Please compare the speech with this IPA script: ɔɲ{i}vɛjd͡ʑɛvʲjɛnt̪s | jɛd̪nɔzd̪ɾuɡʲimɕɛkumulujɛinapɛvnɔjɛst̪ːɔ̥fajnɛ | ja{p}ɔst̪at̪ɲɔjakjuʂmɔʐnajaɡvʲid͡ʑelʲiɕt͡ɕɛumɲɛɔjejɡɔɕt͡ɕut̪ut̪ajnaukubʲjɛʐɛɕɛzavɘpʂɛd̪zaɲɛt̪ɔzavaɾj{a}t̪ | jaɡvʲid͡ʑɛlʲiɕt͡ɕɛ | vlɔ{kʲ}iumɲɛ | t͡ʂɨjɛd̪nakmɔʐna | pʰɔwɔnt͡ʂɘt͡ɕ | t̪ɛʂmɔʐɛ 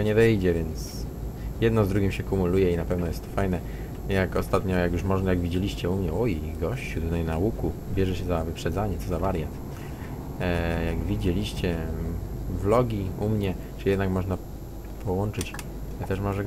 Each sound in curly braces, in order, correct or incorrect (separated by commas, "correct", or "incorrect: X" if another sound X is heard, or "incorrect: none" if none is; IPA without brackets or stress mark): incorrect: ɛ, incorrect: k, correct, incorrect: ɡʲ